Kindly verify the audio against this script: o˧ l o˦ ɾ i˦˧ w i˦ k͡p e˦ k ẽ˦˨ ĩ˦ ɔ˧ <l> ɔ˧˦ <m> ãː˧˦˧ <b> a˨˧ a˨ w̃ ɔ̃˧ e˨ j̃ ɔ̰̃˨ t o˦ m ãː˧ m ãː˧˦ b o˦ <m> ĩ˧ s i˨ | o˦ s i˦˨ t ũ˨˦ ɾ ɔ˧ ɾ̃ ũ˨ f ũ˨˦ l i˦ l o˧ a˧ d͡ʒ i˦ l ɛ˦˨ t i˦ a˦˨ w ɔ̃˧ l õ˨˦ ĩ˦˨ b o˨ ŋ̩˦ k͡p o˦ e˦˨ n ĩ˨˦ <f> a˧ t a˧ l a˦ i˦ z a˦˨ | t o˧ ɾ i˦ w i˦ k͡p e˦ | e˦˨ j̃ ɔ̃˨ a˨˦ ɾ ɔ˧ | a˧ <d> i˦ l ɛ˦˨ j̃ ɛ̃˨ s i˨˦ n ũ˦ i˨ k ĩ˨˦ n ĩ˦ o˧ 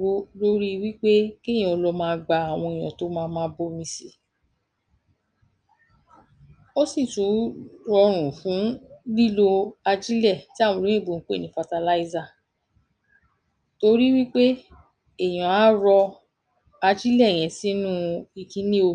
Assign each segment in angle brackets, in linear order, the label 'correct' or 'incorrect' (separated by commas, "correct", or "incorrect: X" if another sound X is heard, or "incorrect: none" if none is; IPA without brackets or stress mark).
correct, correct, incorrect: ɡ͡b, correct, correct, incorrect: d͡ʒ